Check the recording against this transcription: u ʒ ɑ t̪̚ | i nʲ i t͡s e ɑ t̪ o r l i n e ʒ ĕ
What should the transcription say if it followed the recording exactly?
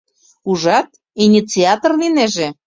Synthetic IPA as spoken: u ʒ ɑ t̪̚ | i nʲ i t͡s i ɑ t̪ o r l i n e ʒ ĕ